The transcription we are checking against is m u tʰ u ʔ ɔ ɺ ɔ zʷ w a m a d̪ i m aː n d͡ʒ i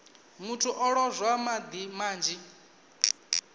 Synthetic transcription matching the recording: m u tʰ u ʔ ɔ ɺ ɔ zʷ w a m a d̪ i m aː n d͡ʒ i